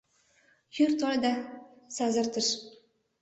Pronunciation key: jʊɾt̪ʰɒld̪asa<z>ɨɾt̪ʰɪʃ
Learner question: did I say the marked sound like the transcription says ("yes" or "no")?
yes